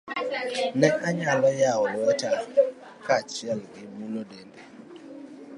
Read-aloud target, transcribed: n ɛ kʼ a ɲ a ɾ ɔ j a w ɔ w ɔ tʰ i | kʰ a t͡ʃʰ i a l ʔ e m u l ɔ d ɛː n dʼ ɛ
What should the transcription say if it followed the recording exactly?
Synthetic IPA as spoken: n ɛ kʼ a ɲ a l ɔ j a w ɔ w ɔ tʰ a | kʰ a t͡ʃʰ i a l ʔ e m u l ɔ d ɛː n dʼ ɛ